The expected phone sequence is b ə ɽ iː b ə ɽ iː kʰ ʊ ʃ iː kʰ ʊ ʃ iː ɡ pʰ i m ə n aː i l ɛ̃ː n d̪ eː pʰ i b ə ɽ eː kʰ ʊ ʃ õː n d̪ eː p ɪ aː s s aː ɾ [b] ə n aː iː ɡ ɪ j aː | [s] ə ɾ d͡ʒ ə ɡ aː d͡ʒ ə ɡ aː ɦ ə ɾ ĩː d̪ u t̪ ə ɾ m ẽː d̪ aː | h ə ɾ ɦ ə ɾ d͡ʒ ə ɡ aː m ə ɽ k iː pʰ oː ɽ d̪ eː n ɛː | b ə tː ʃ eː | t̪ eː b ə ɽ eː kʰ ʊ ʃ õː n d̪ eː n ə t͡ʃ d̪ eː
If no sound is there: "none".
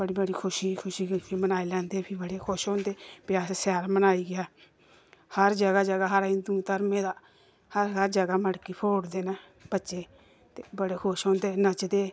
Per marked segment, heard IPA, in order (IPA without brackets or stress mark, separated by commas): m, h